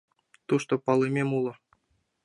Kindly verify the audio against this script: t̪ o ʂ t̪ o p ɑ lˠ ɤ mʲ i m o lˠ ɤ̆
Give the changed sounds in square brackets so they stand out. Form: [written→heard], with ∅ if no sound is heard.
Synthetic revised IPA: t̪ [o→u] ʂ t̪ o p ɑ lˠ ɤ mʲ [i→e] m [o→u] lˠ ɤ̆